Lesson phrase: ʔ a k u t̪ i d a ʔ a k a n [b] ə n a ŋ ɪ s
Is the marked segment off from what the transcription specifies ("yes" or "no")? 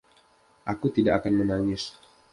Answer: yes